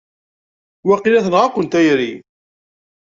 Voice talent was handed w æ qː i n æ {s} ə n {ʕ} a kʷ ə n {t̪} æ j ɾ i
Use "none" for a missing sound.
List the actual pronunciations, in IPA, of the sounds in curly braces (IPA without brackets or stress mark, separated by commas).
θ, ʁ, t̪